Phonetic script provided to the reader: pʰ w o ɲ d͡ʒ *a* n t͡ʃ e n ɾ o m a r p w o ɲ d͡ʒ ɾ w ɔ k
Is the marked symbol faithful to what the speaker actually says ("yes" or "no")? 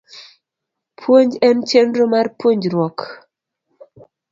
no